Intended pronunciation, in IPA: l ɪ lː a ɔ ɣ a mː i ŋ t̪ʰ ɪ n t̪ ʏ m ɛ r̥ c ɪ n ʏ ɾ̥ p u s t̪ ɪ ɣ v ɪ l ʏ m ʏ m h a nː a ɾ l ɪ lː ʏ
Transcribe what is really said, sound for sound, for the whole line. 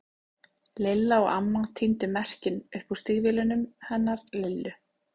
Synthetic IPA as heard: l ɪ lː a ɔ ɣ a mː a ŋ t̪ʰ i n t̪ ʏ m ɛ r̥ c ɪ n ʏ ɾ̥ p u s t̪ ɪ ɣ v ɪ l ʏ n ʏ m h ɛ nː a ɾ l ɪ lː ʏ